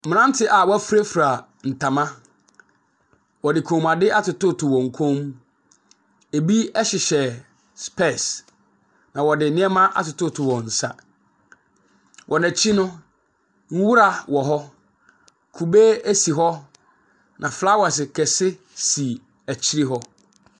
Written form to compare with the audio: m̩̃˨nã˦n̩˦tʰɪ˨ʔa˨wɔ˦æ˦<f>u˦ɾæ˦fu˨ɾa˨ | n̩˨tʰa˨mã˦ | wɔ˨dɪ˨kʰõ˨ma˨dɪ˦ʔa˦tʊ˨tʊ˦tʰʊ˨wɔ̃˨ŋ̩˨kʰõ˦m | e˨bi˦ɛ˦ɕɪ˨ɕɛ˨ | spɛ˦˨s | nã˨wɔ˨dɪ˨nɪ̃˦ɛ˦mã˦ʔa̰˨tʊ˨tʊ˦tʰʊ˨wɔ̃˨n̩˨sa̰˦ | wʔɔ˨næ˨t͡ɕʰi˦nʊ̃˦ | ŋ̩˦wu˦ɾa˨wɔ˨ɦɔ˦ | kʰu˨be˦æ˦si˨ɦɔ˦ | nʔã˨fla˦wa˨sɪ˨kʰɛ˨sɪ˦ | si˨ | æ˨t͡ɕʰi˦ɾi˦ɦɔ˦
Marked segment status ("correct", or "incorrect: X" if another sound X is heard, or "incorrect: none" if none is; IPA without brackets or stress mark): correct